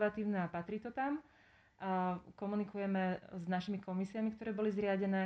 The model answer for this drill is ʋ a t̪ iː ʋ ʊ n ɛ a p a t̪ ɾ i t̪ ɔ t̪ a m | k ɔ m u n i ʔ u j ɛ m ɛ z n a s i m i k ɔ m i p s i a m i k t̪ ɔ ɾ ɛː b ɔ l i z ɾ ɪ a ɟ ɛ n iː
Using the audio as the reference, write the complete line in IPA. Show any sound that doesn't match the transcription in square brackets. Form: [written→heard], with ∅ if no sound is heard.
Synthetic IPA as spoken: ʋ a t̪ iː [ʋ→∅] ʊ n ɛ a p a t̪ ɾ i t̪ ɔ t̪ a m | k ɔ m u n i [ʔ→k] u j ɛ m ɛ z n a [s→ʃ] i m i k ɔ m i [p→∅] s i a m i k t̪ ɔ ɾ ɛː b ɔ l i z ɾ ɪ a ɟ ɛ n [iː→ɛː]